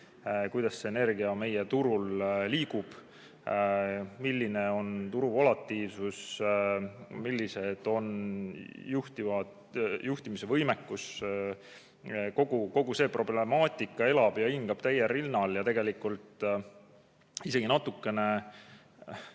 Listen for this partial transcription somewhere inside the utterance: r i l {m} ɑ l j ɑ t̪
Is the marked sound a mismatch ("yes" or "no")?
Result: yes